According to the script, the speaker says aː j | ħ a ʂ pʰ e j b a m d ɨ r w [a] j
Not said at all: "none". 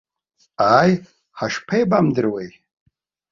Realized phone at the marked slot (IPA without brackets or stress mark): e